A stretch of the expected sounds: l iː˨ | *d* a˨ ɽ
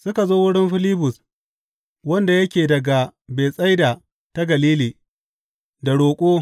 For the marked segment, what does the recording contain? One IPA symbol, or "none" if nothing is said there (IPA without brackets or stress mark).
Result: d